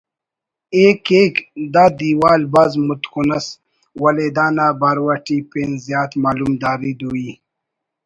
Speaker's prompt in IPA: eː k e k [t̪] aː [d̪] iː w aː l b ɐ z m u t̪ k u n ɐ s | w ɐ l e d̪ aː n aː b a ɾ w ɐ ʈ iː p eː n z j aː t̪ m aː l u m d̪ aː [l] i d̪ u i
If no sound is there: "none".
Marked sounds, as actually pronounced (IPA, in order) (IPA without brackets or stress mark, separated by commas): d̪, d̪, ɾ